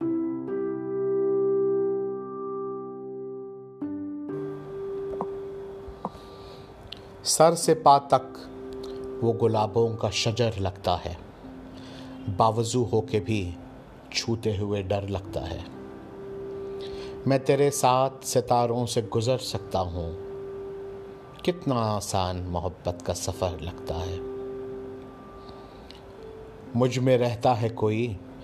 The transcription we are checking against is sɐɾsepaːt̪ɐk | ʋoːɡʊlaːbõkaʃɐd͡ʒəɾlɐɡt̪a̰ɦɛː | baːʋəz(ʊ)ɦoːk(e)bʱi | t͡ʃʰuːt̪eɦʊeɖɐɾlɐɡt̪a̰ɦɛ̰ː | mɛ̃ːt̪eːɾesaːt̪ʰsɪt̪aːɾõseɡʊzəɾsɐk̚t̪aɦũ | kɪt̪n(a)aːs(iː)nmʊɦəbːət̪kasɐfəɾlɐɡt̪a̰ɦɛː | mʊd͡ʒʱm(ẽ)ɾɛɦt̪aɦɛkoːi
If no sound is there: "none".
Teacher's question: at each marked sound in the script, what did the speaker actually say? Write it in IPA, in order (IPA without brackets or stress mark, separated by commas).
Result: u, e, a, aː, ẽ